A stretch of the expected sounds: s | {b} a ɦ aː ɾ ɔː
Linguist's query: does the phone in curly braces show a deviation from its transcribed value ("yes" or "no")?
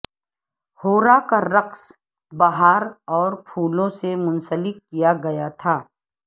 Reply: no